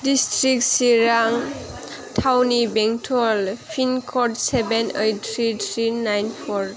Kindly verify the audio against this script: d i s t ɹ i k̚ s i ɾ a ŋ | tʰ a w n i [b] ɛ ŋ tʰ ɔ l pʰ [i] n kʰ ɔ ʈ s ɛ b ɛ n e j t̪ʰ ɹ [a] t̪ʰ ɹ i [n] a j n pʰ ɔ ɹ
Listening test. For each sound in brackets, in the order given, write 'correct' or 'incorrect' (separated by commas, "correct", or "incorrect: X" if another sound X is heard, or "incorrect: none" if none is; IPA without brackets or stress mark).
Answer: correct, correct, incorrect: i, correct